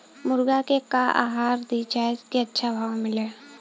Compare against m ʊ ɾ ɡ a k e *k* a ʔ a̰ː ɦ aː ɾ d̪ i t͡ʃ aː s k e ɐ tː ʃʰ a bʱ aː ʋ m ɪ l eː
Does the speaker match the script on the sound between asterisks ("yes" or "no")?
yes